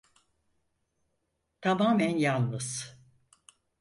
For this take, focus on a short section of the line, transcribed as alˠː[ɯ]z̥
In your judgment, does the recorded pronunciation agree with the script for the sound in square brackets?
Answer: yes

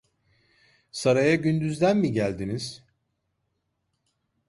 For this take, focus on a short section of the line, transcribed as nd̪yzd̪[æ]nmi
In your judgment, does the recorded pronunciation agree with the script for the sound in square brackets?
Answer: yes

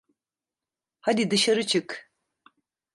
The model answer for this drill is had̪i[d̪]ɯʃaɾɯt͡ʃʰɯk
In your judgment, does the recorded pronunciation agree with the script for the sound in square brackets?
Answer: yes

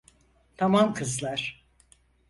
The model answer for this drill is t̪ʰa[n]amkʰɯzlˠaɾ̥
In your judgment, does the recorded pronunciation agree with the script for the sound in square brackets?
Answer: no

